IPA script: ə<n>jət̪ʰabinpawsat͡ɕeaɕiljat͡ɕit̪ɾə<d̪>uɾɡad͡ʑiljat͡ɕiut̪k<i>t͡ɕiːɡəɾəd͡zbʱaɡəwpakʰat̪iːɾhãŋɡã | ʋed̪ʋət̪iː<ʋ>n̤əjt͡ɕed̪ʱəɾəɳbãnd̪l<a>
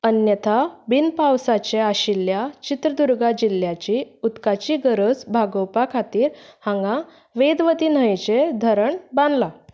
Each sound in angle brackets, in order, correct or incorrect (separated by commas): correct, correct, incorrect, incorrect, correct